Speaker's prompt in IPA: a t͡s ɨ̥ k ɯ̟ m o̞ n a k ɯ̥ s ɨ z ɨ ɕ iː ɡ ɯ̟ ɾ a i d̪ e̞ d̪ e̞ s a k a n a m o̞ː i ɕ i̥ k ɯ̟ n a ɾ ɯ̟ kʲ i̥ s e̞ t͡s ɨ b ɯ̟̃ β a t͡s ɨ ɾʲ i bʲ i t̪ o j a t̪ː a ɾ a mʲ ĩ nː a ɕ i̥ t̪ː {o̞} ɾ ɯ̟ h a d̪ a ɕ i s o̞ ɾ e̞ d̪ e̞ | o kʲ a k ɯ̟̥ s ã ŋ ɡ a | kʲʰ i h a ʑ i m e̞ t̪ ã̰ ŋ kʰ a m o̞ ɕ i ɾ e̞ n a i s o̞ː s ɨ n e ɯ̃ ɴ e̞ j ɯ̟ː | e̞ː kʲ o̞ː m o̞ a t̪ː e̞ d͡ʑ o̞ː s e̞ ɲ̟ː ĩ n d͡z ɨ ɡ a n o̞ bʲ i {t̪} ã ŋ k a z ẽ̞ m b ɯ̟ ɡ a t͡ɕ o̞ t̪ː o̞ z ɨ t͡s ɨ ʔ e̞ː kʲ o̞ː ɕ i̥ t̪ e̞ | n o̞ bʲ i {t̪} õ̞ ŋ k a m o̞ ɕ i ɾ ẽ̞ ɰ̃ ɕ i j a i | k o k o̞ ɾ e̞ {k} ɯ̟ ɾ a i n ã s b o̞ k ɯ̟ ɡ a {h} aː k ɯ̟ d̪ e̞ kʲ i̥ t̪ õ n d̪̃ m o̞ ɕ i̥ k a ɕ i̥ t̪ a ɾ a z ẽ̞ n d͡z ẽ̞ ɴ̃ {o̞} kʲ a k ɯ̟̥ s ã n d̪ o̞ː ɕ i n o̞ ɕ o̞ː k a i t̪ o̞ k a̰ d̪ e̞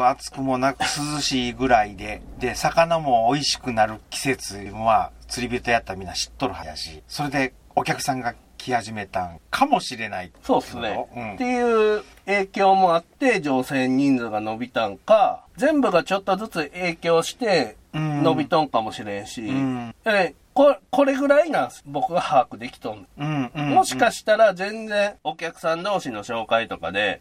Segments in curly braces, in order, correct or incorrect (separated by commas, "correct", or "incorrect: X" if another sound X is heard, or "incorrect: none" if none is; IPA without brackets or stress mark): correct, correct, correct, incorrect: ɡ, correct, correct